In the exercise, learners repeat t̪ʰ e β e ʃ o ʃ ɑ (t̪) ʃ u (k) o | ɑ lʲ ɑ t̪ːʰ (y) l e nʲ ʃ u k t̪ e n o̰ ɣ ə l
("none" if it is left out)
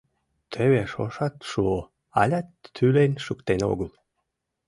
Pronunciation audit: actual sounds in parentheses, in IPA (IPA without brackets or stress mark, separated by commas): t̪, none, y